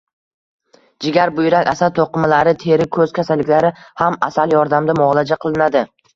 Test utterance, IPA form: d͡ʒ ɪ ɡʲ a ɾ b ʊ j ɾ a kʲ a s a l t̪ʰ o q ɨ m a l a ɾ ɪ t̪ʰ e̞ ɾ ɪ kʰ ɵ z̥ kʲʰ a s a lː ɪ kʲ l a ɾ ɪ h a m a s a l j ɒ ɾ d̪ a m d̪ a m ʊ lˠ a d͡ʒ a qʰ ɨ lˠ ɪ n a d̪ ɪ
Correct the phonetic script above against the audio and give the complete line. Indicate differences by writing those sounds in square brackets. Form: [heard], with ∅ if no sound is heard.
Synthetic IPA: d͡ʒ ɪ ɡʲ a ɾ b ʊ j ɾ a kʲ a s a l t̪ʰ o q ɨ m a l a ɾ ɪ t̪ʰ e̞ ɾ ɪ kʰ ɵ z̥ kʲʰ a s a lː ɪ kʲ l a ɾ ɪ h a m a s a l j ɒ ɾ d̪ a m d̪ a m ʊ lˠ a d͡ʒ a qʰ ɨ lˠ ɪ n a d̪ ɪ